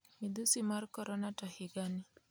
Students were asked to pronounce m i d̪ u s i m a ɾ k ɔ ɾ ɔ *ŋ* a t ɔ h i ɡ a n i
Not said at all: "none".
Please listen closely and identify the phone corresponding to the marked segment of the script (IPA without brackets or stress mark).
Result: n